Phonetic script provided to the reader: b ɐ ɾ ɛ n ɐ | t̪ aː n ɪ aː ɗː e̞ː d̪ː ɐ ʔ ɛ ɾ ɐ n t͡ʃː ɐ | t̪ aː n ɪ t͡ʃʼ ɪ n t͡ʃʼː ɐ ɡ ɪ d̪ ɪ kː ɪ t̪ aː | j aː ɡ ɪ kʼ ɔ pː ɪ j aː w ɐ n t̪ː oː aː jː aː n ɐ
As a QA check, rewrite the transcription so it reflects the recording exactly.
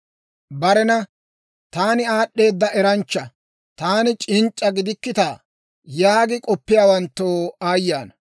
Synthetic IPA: b ɐ ɾ ɛ n ɐ | t̪ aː n ɪ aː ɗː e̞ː d̪ː ɐ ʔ ɛ ɾ ɐ n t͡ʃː ɐ | t̪ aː n ɪ t͡ʃʼ ɪ n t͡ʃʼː ɐ ɡ ɪ d̪ ɪ kː ɪ t̪ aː | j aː ɡ ɪ kʼ ɔ pː ɪ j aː w ɐ n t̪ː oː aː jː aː n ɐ